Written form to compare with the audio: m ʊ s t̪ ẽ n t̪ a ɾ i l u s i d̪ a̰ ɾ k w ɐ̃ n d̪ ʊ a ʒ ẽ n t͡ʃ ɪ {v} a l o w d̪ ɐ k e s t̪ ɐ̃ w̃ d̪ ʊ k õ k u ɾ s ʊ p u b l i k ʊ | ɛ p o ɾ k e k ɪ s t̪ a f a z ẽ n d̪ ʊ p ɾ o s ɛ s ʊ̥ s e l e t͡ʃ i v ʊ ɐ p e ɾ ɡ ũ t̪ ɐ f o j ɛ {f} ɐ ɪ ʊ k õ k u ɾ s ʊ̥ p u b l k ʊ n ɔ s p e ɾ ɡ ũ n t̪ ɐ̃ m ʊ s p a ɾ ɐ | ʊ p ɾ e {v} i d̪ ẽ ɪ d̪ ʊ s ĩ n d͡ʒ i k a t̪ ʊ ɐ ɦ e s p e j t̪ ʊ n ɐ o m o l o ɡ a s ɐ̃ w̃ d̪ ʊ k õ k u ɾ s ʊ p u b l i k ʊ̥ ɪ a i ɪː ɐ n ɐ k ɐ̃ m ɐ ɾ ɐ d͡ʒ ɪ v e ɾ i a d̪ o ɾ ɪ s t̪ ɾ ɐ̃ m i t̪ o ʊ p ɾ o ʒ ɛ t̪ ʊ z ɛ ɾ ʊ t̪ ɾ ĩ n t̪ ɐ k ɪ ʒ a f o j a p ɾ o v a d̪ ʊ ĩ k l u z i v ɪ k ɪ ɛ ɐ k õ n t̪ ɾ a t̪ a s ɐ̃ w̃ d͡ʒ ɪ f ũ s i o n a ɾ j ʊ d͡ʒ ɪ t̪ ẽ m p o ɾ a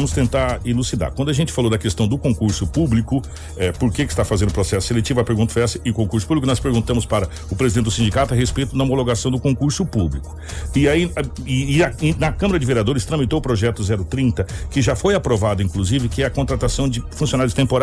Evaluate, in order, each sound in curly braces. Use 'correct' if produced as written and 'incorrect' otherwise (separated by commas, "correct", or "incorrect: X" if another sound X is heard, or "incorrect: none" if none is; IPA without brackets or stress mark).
incorrect: f, incorrect: s, incorrect: z